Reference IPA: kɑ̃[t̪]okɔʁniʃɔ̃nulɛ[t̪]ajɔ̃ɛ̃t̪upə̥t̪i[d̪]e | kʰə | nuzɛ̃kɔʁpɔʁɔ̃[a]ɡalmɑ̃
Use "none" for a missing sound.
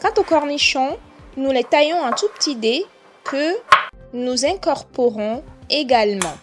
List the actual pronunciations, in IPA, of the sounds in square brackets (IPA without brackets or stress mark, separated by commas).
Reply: t̪, t̪, d̪, e